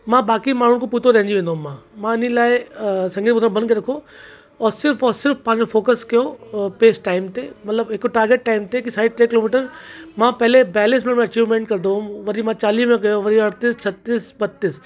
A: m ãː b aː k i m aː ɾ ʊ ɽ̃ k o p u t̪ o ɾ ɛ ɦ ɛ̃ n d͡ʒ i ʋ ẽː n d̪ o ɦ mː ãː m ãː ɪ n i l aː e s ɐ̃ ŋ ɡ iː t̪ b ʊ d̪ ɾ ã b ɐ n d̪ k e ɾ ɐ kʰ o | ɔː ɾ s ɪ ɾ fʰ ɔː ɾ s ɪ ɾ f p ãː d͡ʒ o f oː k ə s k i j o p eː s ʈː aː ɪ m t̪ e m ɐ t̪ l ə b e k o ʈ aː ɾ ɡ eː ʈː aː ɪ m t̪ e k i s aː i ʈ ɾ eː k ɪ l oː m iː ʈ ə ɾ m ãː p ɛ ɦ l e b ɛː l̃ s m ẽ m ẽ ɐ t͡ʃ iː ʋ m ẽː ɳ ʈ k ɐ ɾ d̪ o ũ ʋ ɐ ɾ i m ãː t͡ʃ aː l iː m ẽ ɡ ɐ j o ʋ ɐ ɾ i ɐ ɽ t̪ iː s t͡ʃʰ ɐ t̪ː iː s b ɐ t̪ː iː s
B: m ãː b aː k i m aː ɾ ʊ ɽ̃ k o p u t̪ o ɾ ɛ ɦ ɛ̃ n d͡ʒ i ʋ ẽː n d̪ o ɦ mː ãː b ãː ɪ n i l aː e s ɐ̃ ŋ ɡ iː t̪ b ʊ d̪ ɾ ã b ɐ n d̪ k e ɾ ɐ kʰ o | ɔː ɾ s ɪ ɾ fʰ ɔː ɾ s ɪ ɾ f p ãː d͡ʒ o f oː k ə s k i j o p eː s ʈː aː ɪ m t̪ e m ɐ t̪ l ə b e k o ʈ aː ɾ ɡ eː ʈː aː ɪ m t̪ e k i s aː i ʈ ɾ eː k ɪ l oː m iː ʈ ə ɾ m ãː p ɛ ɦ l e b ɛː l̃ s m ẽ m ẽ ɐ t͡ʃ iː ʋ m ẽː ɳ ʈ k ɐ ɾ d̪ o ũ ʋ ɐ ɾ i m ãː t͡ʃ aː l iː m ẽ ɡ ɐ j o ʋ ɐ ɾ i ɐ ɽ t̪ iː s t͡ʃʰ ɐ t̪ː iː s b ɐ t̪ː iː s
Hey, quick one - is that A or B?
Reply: A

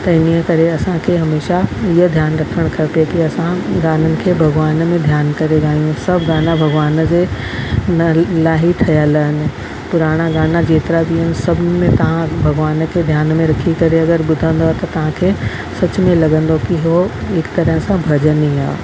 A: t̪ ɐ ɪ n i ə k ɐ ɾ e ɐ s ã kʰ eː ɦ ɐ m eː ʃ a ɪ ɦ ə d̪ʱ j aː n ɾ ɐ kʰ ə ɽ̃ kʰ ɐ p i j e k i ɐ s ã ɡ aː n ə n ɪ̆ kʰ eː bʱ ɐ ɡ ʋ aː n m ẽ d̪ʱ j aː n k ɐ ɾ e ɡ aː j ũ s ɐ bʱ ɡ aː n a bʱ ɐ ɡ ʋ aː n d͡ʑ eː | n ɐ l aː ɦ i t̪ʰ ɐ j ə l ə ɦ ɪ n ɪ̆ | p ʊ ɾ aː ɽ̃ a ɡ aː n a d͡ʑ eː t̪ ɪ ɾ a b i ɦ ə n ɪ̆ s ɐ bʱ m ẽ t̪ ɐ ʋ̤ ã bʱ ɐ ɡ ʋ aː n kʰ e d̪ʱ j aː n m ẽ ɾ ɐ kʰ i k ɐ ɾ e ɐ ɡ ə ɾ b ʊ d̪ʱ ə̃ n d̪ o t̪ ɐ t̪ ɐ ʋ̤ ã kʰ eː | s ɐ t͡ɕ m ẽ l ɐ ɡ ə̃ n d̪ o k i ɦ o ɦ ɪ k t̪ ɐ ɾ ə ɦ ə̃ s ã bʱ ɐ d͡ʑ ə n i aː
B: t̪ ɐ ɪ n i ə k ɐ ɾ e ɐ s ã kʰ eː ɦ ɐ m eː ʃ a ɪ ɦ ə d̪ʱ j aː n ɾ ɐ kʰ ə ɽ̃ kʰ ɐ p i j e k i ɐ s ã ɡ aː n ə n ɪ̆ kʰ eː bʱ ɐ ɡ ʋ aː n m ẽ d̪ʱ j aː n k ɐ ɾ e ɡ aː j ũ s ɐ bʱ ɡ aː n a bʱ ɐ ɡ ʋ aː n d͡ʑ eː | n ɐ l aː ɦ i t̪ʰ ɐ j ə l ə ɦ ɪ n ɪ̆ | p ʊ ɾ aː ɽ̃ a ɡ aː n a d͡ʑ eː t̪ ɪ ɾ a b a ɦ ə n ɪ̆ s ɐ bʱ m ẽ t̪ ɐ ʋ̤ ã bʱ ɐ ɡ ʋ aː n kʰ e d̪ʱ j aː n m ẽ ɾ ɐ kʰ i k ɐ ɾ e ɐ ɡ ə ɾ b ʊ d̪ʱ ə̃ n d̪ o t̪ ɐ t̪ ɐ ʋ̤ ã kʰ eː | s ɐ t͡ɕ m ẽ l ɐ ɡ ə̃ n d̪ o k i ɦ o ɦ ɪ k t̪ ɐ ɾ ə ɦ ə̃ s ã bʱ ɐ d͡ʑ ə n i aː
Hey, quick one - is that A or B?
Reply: A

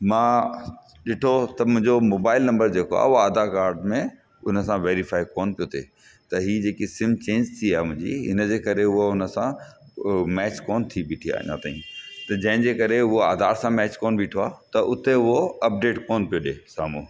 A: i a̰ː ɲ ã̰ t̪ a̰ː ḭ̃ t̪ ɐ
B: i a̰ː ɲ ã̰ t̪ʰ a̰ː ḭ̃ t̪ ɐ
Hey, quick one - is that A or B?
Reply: A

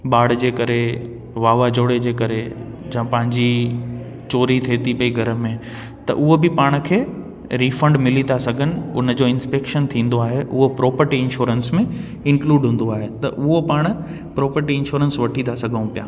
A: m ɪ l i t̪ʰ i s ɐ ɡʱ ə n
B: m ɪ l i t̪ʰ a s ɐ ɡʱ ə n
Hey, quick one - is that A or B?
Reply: B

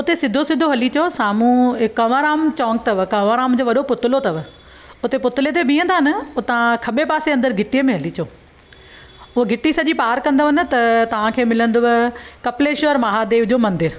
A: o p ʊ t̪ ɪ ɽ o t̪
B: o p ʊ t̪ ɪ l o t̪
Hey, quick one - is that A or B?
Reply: B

